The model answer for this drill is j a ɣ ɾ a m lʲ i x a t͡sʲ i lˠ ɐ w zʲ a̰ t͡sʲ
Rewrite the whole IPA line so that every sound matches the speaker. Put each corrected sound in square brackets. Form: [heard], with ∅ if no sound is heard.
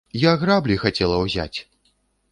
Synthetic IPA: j a ɣ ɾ a [b] lʲ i x a t͡sʲ [ɛ] lˠ ɐ w zʲ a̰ t͡sʲ